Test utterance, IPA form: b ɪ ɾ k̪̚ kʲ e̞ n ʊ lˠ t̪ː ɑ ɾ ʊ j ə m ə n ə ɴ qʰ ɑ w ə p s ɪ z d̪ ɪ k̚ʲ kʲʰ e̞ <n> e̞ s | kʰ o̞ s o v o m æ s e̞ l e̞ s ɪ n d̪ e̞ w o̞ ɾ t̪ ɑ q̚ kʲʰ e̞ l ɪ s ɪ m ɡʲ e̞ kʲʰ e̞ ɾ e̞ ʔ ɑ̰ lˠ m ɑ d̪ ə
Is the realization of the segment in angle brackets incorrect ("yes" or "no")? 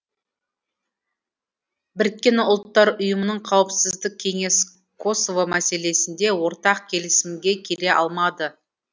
yes